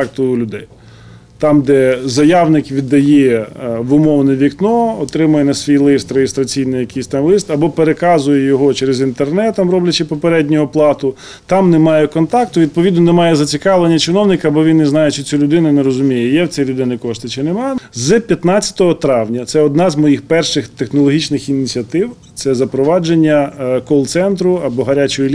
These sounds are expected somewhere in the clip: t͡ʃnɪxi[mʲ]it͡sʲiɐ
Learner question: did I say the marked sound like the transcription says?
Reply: no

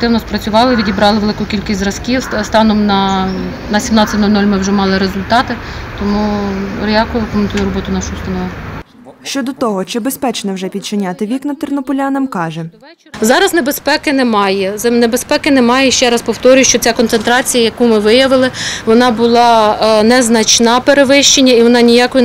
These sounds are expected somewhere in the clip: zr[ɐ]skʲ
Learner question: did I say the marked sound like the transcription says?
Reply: yes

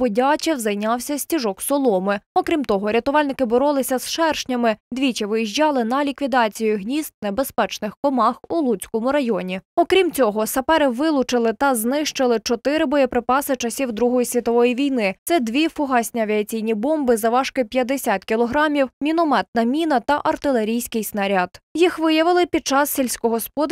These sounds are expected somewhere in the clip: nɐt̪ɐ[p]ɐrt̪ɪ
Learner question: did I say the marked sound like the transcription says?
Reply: no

